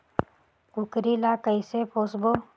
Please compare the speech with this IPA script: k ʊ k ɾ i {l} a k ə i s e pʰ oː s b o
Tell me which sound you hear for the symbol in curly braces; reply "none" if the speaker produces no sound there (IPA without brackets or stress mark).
l